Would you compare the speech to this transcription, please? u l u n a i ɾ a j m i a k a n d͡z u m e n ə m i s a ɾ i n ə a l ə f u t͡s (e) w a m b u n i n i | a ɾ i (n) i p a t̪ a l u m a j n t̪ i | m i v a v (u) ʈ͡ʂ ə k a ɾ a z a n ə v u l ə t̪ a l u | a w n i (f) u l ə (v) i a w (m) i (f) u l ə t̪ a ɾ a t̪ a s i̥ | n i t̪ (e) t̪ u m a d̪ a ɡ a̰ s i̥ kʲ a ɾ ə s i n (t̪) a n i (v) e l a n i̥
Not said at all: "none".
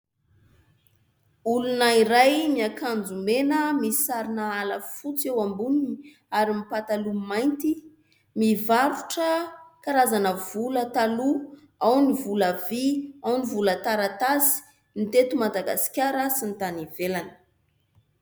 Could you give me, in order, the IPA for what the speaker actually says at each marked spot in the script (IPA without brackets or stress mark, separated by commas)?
e, m, u, v, v, n, v, e, t̪, v